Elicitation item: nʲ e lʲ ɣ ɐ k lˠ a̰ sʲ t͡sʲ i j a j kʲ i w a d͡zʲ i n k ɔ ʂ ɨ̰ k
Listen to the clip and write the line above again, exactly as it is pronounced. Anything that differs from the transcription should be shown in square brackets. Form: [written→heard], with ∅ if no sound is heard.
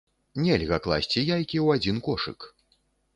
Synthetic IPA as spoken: nʲ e lʲ ɣ ɐ k lˠ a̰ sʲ t͡sʲ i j a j kʲ i w a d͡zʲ i n k ɔ ʂ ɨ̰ k